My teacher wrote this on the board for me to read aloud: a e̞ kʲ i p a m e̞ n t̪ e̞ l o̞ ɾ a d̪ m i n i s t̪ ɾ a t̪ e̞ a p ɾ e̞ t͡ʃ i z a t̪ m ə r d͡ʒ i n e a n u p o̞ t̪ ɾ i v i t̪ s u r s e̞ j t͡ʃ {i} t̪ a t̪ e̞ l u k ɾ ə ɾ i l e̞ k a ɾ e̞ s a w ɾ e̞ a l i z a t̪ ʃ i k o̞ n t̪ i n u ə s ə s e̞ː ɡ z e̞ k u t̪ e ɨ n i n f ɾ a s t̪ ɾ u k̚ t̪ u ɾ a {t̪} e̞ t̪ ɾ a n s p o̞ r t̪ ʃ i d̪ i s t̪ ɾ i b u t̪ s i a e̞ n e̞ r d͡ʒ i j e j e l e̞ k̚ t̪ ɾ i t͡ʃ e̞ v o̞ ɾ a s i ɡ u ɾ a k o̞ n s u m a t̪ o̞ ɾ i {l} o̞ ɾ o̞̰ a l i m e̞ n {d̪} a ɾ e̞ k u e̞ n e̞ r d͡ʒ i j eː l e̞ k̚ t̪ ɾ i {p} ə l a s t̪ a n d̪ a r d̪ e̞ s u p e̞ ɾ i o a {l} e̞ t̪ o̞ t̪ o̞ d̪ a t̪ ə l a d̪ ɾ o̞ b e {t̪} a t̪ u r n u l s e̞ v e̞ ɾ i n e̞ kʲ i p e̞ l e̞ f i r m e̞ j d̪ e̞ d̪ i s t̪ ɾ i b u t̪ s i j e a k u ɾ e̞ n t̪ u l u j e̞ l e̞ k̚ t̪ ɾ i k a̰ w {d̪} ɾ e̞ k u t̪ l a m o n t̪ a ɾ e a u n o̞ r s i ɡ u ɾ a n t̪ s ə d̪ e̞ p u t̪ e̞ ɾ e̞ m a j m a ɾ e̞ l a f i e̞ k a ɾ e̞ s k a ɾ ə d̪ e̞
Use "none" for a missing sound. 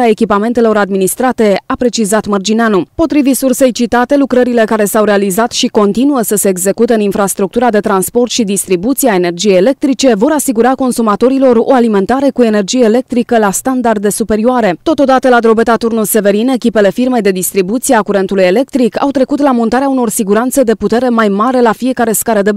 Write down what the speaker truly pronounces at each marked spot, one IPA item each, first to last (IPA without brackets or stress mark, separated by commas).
i, d̪, l, t̪, k, ɾ, t̪, t̪